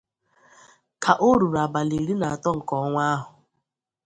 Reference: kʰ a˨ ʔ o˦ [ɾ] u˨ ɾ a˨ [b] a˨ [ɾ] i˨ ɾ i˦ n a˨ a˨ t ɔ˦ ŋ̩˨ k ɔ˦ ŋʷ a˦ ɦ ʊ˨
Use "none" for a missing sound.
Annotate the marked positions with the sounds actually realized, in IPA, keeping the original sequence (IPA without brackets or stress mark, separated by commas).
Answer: ɾ, b, l